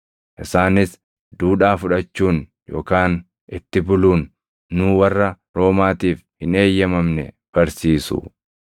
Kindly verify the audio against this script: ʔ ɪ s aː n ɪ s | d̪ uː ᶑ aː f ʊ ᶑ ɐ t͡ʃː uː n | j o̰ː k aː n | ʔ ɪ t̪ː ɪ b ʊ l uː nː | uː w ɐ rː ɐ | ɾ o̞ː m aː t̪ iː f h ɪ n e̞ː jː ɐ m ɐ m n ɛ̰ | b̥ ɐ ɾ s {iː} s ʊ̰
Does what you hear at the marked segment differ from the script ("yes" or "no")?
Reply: no